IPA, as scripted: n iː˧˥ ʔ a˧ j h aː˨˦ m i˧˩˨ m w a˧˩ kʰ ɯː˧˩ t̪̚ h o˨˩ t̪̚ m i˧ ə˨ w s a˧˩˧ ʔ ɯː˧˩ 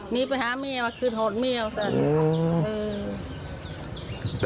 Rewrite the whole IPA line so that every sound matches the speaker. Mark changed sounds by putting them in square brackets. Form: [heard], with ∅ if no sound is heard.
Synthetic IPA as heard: n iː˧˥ [p] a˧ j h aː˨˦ m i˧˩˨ [∅] w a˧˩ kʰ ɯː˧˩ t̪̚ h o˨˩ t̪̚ m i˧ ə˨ w s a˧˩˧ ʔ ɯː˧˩